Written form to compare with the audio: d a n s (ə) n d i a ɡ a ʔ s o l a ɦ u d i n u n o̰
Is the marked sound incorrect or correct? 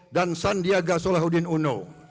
incorrect